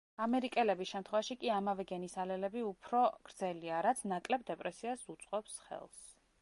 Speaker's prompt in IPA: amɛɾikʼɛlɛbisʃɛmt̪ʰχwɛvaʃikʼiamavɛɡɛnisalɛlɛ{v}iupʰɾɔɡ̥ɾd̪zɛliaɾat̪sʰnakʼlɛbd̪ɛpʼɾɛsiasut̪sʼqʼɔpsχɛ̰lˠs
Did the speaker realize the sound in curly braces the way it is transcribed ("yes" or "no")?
no